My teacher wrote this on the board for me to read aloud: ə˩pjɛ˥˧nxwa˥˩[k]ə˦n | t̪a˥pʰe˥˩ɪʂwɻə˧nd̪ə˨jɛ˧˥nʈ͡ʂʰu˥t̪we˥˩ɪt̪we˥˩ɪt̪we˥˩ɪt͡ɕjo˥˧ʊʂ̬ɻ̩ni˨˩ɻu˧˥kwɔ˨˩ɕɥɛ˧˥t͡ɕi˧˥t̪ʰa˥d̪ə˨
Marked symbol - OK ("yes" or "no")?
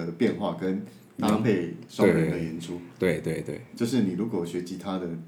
yes